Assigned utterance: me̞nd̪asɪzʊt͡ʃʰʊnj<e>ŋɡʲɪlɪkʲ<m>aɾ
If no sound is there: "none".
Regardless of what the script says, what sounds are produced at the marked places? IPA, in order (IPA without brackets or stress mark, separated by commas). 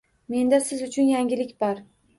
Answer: a, b